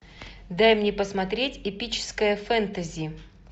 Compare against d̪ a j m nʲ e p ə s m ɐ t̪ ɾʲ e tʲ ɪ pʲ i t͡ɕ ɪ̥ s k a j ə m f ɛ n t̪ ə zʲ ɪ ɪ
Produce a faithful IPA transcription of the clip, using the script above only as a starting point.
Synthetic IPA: d̪ a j m nʲ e p ə s m ɐ t̪ ɾʲ e tʲ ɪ pʲ i t͡ɕ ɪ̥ s k ə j ə f ɛ n t̪ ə zʲ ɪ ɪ